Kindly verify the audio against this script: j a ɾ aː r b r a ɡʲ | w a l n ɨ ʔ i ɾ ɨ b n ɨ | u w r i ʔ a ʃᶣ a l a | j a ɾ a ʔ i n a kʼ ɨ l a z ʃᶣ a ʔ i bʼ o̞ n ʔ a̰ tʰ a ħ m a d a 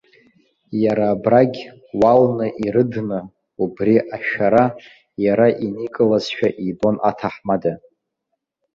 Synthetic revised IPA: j a ɾ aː b r a ɡʲ | w a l n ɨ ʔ i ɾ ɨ d n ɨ | u b r i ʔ a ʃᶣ a ɾ a | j a ɾ a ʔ i n i kʼ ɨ l a z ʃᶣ a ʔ i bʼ o̞ n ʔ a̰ tʰ a ħ m a d a